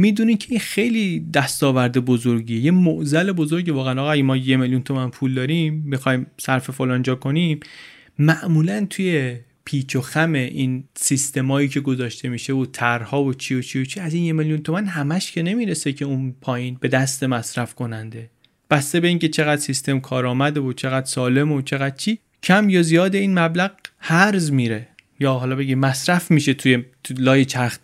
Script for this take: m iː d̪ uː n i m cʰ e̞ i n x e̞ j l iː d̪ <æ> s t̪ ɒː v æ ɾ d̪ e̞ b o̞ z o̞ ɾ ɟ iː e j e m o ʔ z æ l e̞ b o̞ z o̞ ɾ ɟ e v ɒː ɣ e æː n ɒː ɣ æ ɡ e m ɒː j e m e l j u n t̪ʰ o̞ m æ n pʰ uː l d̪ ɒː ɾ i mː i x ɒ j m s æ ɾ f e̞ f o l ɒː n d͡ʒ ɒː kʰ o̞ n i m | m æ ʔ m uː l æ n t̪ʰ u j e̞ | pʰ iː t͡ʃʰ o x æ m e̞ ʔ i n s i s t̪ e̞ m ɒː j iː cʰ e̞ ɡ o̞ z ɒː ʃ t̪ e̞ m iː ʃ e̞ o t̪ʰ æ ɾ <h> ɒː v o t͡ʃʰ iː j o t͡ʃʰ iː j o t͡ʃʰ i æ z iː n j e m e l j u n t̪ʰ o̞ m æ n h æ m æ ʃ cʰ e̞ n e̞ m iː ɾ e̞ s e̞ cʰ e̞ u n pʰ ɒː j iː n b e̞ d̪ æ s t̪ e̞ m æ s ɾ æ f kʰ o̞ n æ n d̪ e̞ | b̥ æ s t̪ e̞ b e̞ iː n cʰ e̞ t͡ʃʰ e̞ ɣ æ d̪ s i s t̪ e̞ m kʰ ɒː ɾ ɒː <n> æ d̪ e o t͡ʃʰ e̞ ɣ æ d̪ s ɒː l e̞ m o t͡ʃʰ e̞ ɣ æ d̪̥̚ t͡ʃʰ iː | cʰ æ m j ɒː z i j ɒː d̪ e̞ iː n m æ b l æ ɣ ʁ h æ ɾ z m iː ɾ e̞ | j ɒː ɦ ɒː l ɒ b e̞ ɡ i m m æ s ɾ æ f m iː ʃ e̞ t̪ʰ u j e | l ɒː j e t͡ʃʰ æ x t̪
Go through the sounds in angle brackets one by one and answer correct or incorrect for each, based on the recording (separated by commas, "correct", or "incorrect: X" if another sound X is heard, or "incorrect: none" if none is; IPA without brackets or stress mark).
correct, correct, incorrect: m